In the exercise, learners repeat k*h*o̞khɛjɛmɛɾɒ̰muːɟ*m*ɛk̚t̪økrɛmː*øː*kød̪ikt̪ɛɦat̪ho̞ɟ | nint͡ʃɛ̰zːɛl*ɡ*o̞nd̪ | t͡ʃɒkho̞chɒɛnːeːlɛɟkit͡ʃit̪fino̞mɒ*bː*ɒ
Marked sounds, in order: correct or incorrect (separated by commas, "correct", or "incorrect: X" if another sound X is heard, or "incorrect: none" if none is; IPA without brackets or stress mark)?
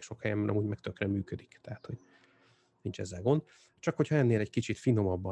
incorrect: ʃ, correct, incorrect: yː, correct, correct